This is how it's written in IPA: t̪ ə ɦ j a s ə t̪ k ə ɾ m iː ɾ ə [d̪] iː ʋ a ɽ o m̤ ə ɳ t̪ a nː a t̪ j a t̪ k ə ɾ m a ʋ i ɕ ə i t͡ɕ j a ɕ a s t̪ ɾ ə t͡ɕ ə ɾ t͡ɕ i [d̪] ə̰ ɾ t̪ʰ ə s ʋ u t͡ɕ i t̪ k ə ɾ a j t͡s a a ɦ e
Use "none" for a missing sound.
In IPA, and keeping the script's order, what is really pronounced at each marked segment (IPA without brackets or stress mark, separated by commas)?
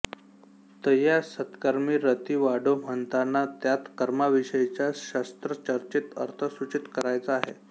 t̪, t̪